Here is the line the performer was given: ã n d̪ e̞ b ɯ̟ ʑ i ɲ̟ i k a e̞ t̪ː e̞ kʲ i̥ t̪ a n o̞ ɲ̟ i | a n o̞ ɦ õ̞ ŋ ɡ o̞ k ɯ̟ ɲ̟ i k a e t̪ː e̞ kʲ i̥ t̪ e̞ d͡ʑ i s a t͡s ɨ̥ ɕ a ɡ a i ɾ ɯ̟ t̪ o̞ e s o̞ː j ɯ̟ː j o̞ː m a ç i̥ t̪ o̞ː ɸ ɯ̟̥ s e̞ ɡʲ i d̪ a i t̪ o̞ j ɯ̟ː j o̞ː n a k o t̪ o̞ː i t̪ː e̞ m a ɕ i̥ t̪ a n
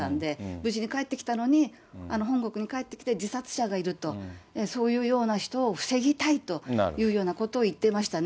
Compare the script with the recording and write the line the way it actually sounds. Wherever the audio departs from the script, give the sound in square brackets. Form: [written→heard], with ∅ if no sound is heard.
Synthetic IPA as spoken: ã n d̪ e̞ b ɯ̟ ʑ i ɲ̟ i k a e̞ t̪ː e̞ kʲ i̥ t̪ a n o̞ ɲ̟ i | a n o̞ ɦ õ̞ ŋ ɡ o̞ k ɯ̟ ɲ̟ i k a e t̪ː e̞ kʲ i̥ t̪ e̞ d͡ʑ i s a t͡s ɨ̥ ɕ a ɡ a i ɾ ɯ̟ t̪ o̞ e s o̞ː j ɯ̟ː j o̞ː [m→n] a ç i̥ t̪ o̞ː ɸ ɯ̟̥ s e̞ ɡʲ i [d̪→t̪] a i t̪ o̞ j ɯ̟ː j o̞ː n a k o t̪ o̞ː i t̪ː e̞ m a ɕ i̥ t̪ a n